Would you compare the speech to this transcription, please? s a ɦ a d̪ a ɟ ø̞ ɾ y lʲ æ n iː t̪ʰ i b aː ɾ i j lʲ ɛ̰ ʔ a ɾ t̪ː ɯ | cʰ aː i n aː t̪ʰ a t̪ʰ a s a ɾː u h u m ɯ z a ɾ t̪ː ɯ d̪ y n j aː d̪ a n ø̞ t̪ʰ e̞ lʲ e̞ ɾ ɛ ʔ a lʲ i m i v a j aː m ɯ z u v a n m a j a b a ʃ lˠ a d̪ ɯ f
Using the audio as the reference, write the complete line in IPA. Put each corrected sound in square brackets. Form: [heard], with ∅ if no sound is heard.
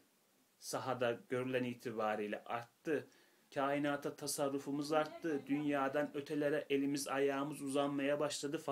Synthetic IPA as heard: s a ɦ a d̪ a ɟ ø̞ ɾ y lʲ æ n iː t̪ʰ i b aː ɾ i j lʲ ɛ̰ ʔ a ɾ t̪ː ɯ | cʰ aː i n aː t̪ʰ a t̪ʰ a s a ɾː u [f] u m ɯ z a ɾ t̪ː ɯ d̪ y n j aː d̪ a n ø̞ t̪ʰ e̞ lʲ e̞ ɾ ɛ ʔ [e] lʲ i m i [z] a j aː m ɯ z u [z] a n m a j a b a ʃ lˠ a d̪ ɯ f

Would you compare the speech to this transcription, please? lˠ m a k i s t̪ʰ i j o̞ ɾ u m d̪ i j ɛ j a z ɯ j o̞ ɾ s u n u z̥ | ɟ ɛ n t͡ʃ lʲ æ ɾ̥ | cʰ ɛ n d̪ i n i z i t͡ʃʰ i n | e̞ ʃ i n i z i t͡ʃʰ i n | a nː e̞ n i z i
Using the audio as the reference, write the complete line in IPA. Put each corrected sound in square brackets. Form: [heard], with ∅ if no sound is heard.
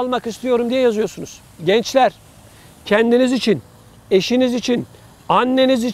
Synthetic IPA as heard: lˠ m a k i s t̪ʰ i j o̞ ɾ u m d̪ i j ɛ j a z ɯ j o̞ ɾ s u n u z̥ | ɟ ɛ n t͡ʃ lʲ æ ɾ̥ | cʰ ɛ n d̪ i n i z i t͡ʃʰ i n | e̞ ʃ i n i z i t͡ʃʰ i n | a nː e̞ n i z i

